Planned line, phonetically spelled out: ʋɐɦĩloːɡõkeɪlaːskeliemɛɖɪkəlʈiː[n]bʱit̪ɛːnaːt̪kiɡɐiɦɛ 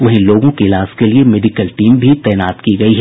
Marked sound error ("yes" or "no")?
yes